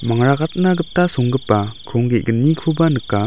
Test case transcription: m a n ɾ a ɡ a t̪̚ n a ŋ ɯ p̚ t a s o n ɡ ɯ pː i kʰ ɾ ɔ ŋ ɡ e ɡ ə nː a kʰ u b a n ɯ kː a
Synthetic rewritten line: m a ŋ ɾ a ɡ a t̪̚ n a ɡ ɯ p̚ t a s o ŋ ɡ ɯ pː a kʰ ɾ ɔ ŋ ɡ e ɡ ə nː i kʰ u b a n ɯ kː a